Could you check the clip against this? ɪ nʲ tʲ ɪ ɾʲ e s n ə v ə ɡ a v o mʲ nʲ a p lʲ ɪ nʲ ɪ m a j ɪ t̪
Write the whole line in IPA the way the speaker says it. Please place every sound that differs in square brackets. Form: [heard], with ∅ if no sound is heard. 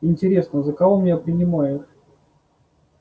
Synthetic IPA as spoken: ɪ nʲ tʲ ɪ ɾʲ e s n ə [z] ə [k] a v o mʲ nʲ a p [ɾʲ] ɪ nʲ ɪ m a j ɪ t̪